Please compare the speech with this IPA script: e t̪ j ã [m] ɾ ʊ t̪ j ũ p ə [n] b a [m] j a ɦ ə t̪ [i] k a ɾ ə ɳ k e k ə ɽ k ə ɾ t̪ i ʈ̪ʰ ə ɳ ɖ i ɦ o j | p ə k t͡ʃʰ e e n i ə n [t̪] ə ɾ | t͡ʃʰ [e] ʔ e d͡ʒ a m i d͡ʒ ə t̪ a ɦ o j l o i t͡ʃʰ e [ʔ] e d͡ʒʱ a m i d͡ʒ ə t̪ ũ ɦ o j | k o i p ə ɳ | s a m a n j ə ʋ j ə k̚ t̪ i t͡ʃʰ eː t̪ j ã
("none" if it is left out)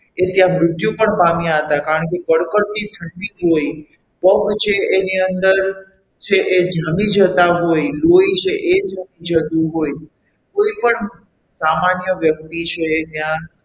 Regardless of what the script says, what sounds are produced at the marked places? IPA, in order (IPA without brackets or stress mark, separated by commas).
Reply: m, ɳ, m, a, d̪, e, ʔ